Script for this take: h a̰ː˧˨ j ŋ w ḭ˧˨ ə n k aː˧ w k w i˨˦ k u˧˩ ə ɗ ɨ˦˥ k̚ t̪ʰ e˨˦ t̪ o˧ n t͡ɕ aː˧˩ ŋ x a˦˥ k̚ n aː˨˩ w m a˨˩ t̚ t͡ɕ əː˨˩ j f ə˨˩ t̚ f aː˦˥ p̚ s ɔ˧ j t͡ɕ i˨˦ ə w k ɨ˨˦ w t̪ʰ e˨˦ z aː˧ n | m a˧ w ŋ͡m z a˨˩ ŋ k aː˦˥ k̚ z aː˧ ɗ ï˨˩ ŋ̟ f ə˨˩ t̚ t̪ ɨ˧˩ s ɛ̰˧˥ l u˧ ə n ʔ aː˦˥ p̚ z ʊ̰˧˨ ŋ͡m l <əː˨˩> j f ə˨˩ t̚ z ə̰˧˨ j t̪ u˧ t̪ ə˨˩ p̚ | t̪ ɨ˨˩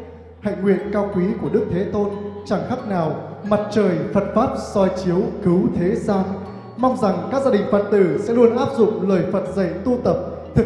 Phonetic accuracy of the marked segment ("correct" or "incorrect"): correct